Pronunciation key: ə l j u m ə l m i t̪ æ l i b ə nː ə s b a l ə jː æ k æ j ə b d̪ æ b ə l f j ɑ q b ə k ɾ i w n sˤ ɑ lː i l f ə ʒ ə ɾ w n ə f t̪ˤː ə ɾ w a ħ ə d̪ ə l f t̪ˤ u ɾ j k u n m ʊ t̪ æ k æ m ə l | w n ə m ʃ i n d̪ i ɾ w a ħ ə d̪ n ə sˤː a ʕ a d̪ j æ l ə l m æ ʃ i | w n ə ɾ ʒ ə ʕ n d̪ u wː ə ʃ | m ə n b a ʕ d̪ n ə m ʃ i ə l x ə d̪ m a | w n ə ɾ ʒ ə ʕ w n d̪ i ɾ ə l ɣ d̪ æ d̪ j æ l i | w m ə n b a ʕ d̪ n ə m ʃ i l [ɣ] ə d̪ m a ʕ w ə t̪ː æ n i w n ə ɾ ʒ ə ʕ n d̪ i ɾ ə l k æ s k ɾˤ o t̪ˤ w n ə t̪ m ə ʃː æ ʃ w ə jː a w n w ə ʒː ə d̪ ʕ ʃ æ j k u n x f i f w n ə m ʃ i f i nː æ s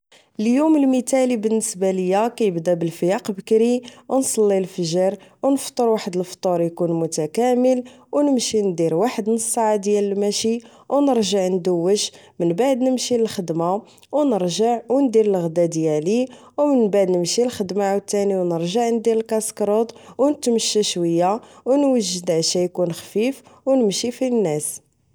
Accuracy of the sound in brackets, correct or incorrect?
incorrect